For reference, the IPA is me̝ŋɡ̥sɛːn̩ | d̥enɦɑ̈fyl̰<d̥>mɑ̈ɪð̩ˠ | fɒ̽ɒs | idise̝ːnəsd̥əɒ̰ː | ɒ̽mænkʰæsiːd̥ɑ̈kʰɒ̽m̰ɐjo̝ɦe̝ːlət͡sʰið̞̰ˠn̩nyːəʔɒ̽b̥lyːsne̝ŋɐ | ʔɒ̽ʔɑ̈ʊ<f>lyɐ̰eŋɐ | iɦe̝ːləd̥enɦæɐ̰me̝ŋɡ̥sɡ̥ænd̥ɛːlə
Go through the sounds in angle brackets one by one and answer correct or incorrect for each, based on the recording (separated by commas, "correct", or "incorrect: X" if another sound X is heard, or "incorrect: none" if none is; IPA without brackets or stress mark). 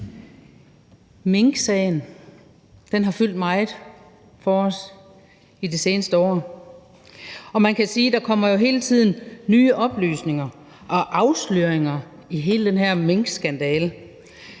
correct, incorrect: s